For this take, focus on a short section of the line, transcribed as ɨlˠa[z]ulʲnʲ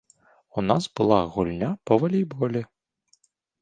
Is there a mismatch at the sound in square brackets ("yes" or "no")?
yes